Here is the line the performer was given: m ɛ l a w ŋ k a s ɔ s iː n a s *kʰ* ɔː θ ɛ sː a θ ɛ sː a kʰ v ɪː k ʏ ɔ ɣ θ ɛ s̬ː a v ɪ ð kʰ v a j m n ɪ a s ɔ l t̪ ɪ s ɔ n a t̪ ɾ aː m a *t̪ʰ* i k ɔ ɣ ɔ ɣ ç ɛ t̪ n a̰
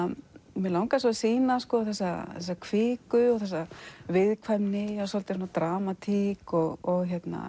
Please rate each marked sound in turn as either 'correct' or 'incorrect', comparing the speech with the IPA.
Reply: incorrect: k, correct

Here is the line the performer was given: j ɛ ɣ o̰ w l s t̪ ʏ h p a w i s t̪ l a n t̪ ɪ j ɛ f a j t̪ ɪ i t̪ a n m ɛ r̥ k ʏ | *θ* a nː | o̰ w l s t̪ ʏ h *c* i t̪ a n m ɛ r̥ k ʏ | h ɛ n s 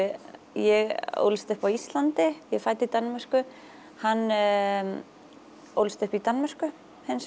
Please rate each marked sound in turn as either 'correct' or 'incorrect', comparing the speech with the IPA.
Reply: incorrect: h, incorrect: p

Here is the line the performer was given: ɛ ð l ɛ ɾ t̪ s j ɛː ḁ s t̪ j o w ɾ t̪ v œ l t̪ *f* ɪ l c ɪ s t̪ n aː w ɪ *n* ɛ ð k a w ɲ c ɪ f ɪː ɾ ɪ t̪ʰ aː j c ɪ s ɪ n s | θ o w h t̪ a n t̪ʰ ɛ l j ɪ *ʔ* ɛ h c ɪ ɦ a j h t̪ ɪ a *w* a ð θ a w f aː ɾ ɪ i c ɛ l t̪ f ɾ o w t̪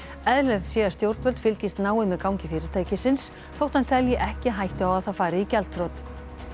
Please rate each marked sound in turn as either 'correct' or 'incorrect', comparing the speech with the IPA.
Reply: correct, incorrect: m, correct, correct

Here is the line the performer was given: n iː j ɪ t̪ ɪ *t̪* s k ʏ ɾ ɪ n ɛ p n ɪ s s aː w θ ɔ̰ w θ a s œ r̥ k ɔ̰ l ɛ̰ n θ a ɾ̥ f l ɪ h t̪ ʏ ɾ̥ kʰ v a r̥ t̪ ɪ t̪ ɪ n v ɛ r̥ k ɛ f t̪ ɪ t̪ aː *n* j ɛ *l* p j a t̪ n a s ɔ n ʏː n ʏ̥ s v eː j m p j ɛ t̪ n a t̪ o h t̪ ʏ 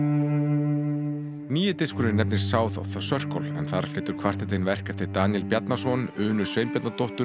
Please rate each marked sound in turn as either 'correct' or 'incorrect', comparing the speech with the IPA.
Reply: incorrect: none, correct, correct

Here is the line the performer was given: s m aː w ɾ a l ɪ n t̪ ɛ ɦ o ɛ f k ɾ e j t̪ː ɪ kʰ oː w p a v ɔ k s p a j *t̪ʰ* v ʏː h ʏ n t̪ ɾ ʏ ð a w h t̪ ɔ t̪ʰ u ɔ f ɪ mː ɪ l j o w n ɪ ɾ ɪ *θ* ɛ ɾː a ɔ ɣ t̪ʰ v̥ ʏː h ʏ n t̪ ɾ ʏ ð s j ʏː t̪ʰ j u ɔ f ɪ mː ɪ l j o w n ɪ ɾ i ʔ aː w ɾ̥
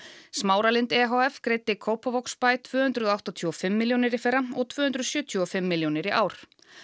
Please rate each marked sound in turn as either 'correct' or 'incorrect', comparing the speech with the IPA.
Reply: correct, incorrect: f

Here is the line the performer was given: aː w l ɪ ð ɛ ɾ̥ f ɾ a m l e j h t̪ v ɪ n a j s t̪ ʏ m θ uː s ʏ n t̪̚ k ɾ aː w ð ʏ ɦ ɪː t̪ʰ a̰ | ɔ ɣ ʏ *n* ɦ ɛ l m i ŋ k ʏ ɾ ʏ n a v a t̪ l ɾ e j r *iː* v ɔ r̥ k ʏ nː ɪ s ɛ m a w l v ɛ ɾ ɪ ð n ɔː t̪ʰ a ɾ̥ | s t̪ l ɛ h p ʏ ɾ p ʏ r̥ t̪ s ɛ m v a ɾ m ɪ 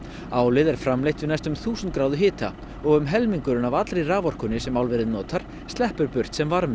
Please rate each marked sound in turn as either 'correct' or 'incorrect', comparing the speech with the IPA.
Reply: incorrect: m, incorrect: aː

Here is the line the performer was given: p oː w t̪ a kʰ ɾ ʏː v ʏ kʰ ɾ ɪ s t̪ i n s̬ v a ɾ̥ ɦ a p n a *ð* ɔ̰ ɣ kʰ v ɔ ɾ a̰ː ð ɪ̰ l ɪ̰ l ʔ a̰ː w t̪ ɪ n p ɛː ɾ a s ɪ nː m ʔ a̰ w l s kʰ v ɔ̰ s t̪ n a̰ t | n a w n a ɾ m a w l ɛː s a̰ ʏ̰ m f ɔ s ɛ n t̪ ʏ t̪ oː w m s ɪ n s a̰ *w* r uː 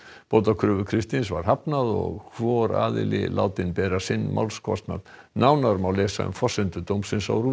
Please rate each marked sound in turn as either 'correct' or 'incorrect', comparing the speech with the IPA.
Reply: correct, correct

